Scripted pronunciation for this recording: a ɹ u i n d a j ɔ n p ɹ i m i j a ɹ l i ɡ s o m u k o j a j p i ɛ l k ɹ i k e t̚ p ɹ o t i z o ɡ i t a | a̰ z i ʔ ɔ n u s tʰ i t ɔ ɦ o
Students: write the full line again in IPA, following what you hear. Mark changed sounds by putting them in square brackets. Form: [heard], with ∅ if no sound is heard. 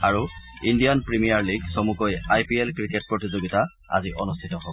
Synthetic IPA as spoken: a ɹ u i n d [i] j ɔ n p ɹ i m i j a ɹ l i ɡ s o m u k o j a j p i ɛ l k ɹ i k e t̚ p ɹ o t i z o ɡ i t a | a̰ z i ʔ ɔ n u s tʰ i t ɔ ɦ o